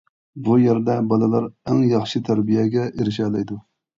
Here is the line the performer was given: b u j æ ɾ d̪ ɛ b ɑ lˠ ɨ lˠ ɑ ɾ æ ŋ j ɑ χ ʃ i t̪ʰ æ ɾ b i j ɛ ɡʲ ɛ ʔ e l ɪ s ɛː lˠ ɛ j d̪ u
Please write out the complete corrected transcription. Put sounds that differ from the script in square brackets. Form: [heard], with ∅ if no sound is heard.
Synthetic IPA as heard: b u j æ ɾ d̪ ɛ b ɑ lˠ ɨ lˠ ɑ ɾ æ ŋ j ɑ χ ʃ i t̪ʰ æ ɾ b i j ɛ ɡʲ ɛ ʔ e [ɾ] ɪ [ʃ] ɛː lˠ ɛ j d̪ u